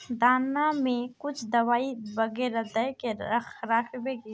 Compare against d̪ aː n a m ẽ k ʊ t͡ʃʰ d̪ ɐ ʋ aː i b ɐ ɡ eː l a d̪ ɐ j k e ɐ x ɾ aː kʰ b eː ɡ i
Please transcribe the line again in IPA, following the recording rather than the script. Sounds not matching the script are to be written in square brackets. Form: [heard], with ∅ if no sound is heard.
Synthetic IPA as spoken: d̪ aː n a m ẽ k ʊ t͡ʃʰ d̪ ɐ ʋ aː i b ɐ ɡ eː [ɾ] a d̪ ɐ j k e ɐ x ɾ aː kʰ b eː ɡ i